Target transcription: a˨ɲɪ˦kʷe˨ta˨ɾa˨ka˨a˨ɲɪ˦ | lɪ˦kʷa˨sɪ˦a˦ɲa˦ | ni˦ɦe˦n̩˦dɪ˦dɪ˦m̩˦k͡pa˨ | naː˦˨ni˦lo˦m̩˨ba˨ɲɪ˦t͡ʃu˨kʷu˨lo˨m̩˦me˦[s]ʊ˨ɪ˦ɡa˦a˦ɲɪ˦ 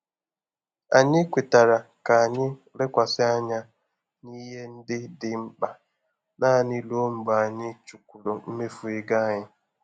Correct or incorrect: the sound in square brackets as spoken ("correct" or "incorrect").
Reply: incorrect